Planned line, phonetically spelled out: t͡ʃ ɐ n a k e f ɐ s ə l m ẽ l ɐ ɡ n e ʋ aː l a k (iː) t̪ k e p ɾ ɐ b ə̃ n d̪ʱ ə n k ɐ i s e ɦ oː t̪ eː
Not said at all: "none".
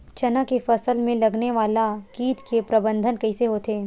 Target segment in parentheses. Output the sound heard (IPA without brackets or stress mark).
iː